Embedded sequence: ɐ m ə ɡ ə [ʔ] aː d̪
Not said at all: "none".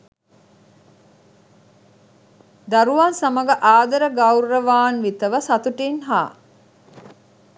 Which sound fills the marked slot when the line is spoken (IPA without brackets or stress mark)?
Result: ʔ